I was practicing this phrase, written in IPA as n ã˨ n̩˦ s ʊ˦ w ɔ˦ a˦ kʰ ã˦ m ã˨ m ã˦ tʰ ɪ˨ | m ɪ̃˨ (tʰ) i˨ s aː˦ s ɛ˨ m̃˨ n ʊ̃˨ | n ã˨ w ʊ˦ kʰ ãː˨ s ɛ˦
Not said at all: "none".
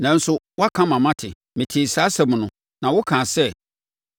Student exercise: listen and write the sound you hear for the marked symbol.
tʰ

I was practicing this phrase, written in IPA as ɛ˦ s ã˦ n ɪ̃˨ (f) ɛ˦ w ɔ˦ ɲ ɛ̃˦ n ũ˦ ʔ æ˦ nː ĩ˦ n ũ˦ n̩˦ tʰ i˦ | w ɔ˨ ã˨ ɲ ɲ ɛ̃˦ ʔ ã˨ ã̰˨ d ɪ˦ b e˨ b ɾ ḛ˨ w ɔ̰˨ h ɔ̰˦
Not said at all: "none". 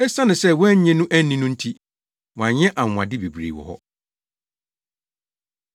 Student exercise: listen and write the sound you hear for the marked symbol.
s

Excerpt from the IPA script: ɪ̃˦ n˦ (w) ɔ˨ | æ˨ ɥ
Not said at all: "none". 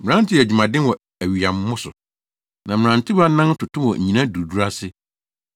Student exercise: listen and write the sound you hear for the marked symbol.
w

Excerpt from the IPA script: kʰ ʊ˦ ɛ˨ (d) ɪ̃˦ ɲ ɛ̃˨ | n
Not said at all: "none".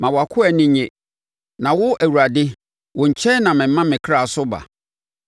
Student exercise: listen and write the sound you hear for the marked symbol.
n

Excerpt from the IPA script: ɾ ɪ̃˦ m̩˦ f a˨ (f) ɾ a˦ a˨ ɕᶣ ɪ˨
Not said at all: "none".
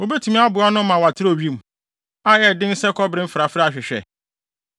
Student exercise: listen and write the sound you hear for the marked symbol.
f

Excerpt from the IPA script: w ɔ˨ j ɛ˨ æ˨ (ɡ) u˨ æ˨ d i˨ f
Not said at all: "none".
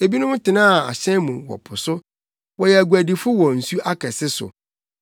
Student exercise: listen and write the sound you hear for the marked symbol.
ɡ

